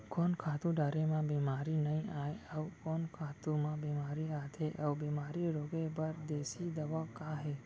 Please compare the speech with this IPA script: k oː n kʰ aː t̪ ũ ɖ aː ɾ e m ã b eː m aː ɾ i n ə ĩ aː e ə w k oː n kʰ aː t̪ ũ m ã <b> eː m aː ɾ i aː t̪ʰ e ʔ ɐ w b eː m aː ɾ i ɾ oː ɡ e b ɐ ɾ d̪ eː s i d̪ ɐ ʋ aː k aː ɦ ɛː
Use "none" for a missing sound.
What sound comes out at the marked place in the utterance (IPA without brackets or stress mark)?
b